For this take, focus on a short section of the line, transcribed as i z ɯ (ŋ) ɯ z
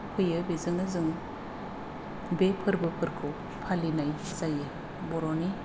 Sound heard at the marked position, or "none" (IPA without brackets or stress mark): ŋ